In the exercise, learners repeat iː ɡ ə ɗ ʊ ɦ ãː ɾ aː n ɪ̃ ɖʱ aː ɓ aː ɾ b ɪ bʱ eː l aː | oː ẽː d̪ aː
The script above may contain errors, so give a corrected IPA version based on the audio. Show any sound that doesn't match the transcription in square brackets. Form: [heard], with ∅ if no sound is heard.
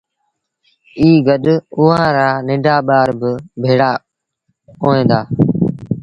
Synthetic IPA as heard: iː ɡ ə ɗ ʊ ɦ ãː ɾ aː n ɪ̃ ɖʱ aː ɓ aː ɾ b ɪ bʱ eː [ɽ] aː | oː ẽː d̪ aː